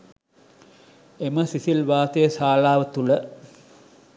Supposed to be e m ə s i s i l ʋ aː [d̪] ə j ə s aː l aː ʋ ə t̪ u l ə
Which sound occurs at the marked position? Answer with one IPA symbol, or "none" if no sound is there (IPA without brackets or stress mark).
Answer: t̪